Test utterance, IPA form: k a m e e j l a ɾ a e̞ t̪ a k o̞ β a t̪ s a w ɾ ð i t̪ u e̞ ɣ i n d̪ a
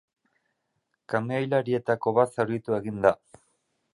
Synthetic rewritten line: k a m e a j l a ɾ i e̞ t̪ a k o̞ β a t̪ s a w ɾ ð i t̪ u e̞ ɣ i n d̪ a